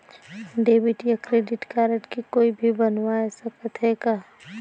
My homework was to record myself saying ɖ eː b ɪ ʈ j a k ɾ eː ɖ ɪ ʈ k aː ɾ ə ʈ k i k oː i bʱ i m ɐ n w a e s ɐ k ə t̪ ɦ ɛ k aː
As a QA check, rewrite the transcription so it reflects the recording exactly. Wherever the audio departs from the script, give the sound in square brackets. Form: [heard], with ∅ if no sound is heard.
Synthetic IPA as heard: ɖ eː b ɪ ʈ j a k ɾ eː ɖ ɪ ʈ k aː ɾ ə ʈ k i k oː i bʱ i [b] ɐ n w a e s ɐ k ə t̪ ɦ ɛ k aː